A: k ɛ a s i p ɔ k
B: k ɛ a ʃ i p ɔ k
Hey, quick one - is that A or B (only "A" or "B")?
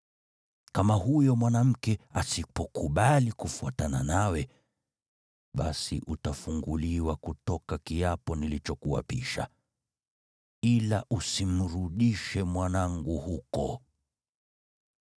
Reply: A